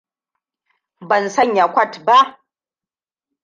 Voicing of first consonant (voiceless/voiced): voiced